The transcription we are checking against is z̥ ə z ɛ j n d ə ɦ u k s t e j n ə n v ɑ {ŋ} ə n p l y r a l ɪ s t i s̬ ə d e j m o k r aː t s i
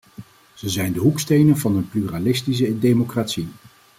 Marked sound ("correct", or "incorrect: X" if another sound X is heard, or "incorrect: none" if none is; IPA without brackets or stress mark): incorrect: n